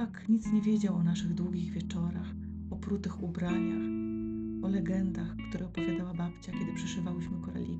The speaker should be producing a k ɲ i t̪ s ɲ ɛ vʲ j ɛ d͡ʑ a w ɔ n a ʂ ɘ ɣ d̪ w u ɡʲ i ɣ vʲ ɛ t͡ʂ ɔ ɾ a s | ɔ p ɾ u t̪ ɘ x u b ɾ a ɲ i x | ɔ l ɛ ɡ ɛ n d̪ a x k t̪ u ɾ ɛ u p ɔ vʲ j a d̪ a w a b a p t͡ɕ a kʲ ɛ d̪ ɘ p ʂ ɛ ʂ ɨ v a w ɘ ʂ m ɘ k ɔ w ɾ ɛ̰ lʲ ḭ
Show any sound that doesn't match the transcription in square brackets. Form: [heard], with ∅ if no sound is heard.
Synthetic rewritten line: a k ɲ i t̪ s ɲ ɛ vʲ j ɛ d͡ʑ a w ɔ n a ʂ ɘ ɣ d̪ w u ɡʲ i ɣ vʲ ɛ t͡ʂ ɔ ɾ a [x] | ɔ p ɾ u t̪ ɘ x u b ɾ a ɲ [a] x | ɔ l ɛ ɡ ɛ n d̪ a x k t̪ u ɾ ɛ [ɔ] p ɔ vʲ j a d̪ a w a b a p t͡ɕ a kʲ ɛ d̪ ɘ p ʂ ɛ ʂ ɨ v a w ɘ [ɕ] m ɘ k ɔ [∅] ɾ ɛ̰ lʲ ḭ